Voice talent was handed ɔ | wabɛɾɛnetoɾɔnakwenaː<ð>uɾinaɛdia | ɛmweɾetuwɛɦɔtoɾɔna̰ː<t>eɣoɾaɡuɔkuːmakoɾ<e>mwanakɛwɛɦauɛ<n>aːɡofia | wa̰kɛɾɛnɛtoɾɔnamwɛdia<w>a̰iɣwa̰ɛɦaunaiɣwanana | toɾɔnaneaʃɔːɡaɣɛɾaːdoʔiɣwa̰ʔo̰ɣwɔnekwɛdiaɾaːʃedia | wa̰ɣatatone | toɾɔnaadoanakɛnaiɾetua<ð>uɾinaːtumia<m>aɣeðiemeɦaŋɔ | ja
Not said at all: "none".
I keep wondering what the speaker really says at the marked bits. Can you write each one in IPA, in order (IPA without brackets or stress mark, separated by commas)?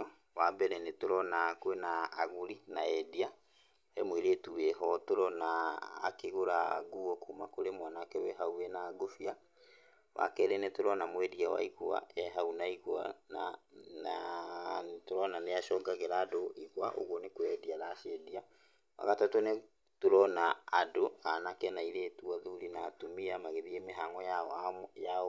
ɣ, k, e, n, w, ð, m